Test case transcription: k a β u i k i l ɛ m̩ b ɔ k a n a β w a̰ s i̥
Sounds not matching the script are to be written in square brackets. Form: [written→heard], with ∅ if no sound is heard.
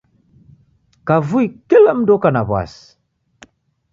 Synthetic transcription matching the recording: k a [β→v] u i k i l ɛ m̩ [b→d] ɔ k a n a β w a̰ s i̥